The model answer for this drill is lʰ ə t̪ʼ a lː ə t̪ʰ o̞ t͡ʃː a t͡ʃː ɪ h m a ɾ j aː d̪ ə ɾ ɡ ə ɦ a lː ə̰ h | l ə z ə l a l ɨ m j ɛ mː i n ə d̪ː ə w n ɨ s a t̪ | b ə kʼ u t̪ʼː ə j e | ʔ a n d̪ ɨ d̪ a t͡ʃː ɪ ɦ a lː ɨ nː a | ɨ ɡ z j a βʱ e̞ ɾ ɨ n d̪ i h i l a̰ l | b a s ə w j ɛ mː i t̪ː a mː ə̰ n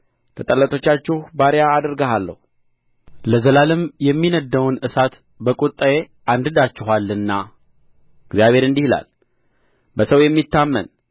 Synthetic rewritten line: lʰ ə t̪ʼ ə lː ə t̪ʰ o̞ t͡ʃː a t͡ʃː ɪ h b a ɾ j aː d̪ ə ɾ ɡ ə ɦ a lː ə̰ h | l ə z ə l a l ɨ m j ɛ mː i n ə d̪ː ə w n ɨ s a t̪ | b ə kʼ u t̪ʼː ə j e | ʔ a n d̪ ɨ d̪ a t͡ʃː ɪ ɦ a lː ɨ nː a | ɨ ɡ z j a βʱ e̞ ɾ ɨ n d̪ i h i l a̰ l | b ə s ə w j ɛ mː i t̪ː a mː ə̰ n

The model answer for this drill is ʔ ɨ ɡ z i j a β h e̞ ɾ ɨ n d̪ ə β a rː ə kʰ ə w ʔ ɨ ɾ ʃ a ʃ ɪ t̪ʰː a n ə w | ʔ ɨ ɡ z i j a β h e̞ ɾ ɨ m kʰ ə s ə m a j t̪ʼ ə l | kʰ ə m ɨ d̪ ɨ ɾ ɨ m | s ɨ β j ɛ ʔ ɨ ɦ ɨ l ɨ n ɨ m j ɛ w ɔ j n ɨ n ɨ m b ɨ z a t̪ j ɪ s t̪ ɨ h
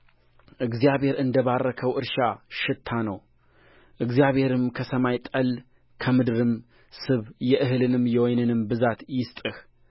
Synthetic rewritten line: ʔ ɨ ɡ z i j a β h e̞ ɾ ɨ n d̪ ə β a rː ə kʰ ə w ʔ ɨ ɾ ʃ a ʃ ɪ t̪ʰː a n ə w | ʔ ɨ ɡ z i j a β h e̞ ɾ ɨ m kʰ ə s ə m a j t̪ʼ ə l | kʰ ə m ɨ d̪ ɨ ɾ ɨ m | s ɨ β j ɛ ʔ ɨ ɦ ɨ l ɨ n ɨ m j ɛ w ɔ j n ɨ n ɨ m b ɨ z a t̪ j ɪ s t̪ʼ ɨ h

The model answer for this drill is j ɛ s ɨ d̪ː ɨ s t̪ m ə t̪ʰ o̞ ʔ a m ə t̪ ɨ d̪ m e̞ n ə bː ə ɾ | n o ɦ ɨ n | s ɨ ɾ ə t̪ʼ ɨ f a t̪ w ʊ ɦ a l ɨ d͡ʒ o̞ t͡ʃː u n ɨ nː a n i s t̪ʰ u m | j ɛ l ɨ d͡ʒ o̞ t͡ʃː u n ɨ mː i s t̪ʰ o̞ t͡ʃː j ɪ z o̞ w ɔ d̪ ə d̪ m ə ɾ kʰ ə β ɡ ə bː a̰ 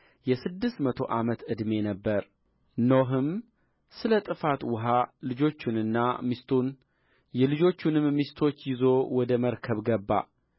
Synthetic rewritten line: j ɛ s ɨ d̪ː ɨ s t̪ m ə t̪ʰ o̞ ʔ a m ə t̪ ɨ d̪ m e̞ n ə bː ə ɾ | n o ɦ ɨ m | s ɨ l ə t̪ʼ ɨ f a t̪ w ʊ ɦ a l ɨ d͡ʒ o̞ t͡ʃː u n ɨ nː a m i s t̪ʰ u n | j ɛ l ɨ d͡ʒ o̞ t͡ʃː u n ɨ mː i s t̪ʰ o̞ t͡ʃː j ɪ z o̞ w ɔ d̪ ə m ə ɾ kʰ ə β ɡ ə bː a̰

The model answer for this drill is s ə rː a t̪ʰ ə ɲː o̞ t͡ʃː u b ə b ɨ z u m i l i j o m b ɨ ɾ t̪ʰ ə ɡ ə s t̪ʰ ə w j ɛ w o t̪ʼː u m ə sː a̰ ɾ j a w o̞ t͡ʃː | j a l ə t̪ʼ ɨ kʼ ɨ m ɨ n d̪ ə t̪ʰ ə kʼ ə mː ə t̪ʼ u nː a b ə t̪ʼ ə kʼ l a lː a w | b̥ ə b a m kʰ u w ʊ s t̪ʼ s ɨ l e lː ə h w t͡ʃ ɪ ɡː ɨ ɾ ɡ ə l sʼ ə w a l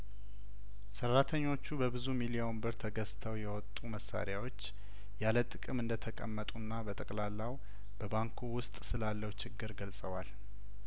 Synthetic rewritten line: s ə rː a t̪ʰ ə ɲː o̞ t͡ʃː u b ə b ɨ z u m i l i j o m b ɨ ɾ t̪ʰ ə ɡ ə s t̪ʰ ə w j ɛ w ɔ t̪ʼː u m ə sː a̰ ɾ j a w o̞ t͡ʃː | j a l ə t̪ʼ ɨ kʼ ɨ m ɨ n d̪ ə t̪ʰ ə kʼ ə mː ə t̪ʼ u nː a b ə t̪ʼ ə kʼ l a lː a w | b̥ ə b a ŋ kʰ u w ʊ s t̪ʼ s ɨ l a lː ə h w t͡ʃ ɪ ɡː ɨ ɾ ɡ ə l sʼ ə w a l

